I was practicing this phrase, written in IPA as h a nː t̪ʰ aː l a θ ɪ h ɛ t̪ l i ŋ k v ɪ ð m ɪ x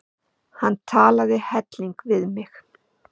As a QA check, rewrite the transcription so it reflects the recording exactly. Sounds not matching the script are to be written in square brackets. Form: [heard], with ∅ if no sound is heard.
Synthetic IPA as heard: h a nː t̪ʰ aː l a [ð] ɪ h ɛ t̪ l i ŋ k v ɪ ð m ɪ x